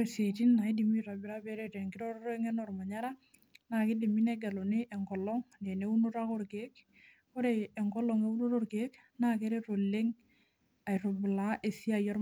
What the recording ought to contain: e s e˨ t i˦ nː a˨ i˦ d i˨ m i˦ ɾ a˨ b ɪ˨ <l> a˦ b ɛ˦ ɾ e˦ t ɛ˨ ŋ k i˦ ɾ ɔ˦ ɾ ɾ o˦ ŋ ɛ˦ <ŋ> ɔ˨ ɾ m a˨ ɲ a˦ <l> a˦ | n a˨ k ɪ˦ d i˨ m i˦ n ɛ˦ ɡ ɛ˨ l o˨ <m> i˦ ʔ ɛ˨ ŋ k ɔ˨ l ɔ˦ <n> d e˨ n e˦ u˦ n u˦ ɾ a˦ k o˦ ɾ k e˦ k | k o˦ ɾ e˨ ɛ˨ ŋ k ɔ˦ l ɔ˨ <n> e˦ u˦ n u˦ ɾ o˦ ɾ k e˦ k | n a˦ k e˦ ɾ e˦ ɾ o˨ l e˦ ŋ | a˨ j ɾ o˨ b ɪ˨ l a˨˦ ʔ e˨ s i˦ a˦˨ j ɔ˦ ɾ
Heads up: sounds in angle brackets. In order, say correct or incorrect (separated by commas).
incorrect, incorrect, incorrect, incorrect, incorrect, incorrect